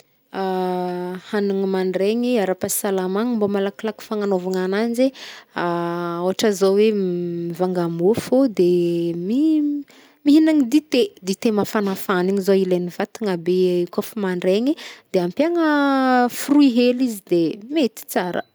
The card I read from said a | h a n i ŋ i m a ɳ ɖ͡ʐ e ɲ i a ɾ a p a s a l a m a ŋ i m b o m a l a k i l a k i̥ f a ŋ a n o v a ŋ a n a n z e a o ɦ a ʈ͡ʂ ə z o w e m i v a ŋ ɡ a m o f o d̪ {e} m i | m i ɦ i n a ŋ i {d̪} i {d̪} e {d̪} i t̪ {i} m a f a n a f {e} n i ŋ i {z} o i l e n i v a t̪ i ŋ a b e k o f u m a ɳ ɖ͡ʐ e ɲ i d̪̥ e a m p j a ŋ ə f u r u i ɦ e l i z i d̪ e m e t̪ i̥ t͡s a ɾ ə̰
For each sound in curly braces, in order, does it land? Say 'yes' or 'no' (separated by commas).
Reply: yes, yes, no, yes, no, no, yes